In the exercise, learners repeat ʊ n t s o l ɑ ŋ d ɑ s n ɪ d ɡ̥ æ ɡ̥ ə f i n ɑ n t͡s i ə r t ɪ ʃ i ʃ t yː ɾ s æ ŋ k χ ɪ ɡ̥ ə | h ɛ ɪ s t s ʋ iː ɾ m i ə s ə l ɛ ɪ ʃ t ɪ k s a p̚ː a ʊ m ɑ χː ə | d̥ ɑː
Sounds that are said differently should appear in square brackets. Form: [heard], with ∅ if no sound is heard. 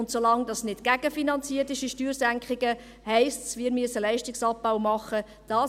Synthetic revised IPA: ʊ n t s o l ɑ ŋ d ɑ s n ɪ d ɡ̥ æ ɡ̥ ə f i n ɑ n t͡s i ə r t ɪ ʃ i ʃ t yː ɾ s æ ŋ k χ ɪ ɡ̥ ə | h ɛ ɪ s t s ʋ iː ɾ m [y] ə s ə l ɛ ɪ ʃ t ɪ k s [ɑ] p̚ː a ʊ m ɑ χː ə | d̥ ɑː